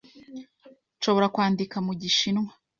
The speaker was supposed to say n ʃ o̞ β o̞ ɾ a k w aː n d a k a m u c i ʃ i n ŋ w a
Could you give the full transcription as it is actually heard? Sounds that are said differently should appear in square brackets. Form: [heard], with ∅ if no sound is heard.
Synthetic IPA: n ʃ o̞ β o̞ ɾ a k w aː n d [i] k a m u [ɟ] i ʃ i n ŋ w a

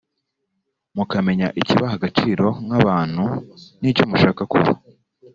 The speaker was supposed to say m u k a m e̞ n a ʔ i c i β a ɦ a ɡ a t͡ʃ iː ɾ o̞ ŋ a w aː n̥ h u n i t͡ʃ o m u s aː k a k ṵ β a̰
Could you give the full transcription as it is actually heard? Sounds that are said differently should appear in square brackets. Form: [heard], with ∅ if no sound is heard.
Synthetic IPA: m u k a m e̞ [ɲ] a ʔ i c i β a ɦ a ɡ a t͡ʃ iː ɾ o̞ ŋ a [β] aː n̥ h u n i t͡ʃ o m u [ʃ] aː k a k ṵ β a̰

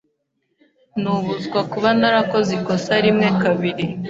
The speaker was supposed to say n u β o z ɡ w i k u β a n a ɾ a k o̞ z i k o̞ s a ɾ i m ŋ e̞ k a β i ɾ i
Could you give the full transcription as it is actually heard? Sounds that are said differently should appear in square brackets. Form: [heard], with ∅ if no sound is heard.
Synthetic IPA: n u β [u] z ɡ w [a] k u β a n a ɾ a k o̞ z i k o̞ s a ɾ i m ŋ e̞ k a β i ɾ i

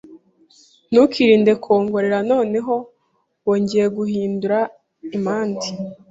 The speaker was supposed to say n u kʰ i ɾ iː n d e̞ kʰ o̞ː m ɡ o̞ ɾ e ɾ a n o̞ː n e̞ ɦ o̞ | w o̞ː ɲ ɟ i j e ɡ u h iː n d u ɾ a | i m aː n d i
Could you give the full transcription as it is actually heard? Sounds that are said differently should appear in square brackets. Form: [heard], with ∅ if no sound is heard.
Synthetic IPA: n u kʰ i ɾ iː n d e̞ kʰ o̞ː [ŋ] ɡ o̞ ɾ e ɾ a n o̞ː n e̞ ɦ o̞ | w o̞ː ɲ ɟ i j e ɡ u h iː n d u ɾ a | i m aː n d i

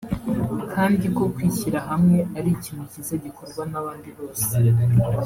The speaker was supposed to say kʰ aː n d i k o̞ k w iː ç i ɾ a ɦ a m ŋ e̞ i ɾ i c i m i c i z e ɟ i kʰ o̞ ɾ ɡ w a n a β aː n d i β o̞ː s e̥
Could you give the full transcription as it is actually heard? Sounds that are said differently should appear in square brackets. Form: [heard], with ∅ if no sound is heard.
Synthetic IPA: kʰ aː n d i k o̞ k w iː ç i ɾ a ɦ a m ŋ e̞ [a] ɾ i c i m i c i z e ɟ i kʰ o̞ ɾ ɡ w a n a β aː n d i β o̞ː s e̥

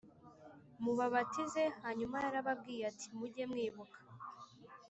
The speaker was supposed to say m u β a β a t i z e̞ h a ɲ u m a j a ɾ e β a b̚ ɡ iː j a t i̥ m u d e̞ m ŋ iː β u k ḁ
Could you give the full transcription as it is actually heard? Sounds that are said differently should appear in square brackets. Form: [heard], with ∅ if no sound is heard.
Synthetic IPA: m u β a β a t i z e̞ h a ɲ u m a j a ɾ [a] β a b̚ ɡ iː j a t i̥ m u [ɟ] e̞ m ŋ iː β u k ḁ

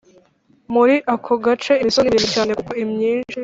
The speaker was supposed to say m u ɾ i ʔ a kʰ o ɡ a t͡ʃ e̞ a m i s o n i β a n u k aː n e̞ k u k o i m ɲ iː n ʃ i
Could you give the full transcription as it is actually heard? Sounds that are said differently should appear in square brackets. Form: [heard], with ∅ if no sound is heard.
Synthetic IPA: m u ɾ i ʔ a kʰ o ɡ a t͡ʃ e̞ [i] m i s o n i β [i] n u [c] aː n e̞ k u k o i m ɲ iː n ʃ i

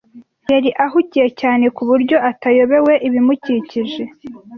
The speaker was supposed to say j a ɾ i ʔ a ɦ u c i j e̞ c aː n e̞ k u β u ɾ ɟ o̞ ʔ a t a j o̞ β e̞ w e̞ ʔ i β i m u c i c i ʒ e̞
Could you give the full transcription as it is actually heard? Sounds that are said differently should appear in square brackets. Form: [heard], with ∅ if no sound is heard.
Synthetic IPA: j a ɾ i ʔ a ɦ u c i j e̞ c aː n e̞ k u β u ɾ ɟ o̞ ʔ a t a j o̞ β e̞ w e̞ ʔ i β i m u c i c i ʒ e̞

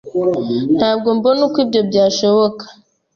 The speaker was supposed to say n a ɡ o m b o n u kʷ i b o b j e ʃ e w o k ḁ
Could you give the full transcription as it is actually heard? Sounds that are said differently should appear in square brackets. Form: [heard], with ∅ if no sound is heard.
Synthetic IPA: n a ɡ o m b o n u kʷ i b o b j [a] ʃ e w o k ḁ

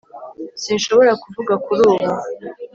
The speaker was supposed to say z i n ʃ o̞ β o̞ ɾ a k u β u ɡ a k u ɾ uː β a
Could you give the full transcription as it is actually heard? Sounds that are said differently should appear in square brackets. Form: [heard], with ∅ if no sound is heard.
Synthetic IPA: [s] i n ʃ o̞ β o̞ ɾ a k u [v] u ɡ a k u ɾ uː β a

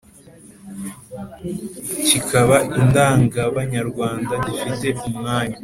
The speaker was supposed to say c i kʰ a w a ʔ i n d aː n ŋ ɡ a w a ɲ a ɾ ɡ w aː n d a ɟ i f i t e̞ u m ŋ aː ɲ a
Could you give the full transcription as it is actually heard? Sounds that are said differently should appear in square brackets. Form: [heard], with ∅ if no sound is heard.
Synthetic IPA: c i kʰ a [β] a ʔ i n d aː [∅] ŋ ɡ a [β] a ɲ a ɾ ɡ w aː n d a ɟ i f i t e̞ u m ŋ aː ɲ a

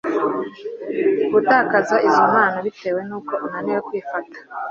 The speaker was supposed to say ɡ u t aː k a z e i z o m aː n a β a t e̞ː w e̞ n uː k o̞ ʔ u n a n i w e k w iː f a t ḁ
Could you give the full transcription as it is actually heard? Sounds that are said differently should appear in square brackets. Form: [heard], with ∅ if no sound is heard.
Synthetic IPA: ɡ u t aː k a z [a] i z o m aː n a β [i] t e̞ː w e̞ n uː k o̞ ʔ u n a n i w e k w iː f a t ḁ

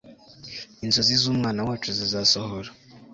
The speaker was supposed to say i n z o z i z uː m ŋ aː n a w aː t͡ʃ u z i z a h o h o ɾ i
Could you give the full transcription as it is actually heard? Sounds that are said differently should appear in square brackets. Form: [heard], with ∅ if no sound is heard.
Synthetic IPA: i n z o z i z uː m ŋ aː n a w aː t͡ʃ u z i z a [s] o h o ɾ [a]

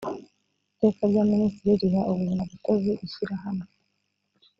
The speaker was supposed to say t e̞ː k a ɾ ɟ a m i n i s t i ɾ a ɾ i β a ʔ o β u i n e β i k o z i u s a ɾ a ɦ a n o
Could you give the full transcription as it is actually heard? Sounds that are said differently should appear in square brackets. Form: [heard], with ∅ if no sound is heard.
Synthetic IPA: t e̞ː k a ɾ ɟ a m i n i s t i ɾ [i] ɾ i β a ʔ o β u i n [a] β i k o z i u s [i] ɾ a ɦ a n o

